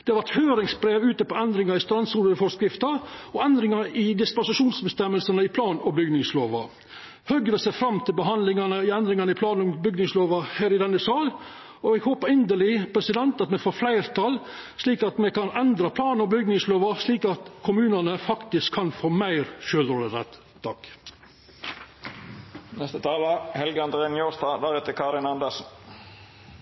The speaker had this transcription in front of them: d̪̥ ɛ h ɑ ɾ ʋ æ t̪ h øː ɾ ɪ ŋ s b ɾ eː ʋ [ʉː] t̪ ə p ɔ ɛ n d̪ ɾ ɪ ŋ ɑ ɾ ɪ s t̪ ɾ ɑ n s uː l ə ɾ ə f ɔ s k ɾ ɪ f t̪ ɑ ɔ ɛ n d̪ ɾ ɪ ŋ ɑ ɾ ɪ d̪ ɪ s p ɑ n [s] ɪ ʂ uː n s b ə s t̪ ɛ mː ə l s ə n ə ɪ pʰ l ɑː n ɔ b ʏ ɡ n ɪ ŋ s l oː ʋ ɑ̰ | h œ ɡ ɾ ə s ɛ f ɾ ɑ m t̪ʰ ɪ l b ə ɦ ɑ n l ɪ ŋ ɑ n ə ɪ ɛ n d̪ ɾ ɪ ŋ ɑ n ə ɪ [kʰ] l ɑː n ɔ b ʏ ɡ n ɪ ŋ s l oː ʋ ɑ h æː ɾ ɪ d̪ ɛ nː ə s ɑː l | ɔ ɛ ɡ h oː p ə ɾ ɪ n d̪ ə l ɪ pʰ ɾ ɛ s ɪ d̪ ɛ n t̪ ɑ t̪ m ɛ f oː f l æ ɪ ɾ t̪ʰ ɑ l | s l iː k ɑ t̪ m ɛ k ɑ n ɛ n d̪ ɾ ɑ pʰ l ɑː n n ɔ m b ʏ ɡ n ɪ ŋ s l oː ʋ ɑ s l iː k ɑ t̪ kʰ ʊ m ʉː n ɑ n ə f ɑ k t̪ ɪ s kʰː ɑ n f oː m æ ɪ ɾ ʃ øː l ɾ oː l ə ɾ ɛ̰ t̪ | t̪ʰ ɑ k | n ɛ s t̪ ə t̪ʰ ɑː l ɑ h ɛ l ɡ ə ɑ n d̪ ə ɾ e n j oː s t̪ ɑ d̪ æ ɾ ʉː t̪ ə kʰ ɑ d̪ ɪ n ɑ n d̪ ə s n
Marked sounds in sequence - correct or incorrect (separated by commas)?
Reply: correct, correct, incorrect